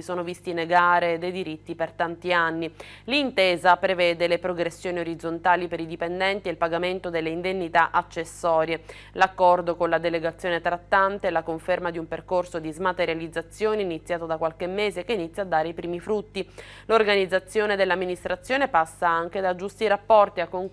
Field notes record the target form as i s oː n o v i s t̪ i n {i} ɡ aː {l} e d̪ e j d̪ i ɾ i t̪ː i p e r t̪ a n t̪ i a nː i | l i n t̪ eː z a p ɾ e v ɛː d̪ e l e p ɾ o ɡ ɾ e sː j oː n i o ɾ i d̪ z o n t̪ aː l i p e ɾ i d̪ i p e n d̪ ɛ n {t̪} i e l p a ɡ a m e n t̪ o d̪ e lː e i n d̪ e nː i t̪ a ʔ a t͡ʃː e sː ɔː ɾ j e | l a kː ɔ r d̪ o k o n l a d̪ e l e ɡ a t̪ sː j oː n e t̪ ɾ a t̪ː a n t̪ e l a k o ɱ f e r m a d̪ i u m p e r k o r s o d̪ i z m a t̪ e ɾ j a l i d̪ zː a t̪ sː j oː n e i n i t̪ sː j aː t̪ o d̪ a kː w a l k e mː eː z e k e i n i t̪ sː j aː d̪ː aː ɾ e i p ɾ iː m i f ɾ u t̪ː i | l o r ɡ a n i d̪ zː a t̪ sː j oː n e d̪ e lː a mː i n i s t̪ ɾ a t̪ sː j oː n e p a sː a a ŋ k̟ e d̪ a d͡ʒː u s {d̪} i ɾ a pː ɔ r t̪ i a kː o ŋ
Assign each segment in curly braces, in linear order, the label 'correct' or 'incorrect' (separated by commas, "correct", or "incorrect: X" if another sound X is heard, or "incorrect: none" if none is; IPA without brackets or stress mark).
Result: incorrect: e, incorrect: ɾ, correct, incorrect: t̪